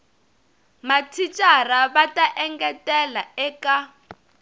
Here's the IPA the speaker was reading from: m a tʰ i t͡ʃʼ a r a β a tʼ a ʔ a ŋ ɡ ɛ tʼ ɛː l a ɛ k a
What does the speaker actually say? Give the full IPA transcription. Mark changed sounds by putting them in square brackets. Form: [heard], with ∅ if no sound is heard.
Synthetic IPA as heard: m a tʰ i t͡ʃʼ a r a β a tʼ a ʔ [ɛ] ŋ ɡ ɛ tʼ [ɛ] l a ɛ k a